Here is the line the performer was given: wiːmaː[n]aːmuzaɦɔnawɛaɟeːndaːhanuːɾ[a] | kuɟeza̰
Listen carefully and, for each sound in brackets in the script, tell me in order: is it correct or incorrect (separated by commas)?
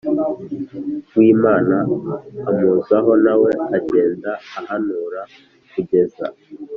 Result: correct, correct